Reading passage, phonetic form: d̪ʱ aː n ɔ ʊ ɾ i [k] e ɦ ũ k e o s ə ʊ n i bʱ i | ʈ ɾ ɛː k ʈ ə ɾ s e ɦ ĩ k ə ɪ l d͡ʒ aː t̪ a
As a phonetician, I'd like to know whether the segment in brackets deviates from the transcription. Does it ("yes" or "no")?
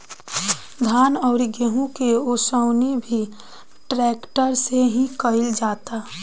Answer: yes